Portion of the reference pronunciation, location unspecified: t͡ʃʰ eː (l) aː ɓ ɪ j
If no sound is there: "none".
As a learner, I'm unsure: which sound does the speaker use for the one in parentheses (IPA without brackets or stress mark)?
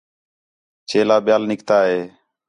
l